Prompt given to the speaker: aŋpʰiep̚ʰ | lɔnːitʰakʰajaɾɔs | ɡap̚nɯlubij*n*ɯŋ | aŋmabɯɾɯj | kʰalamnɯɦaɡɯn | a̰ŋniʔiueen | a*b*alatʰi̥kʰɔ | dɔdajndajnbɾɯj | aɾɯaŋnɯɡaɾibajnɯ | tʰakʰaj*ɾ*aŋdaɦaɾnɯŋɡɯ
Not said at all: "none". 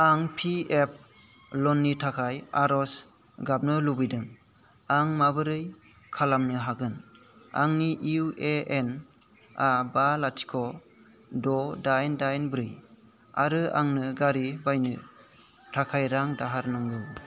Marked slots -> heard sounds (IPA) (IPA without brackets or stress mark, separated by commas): d, b, ɾ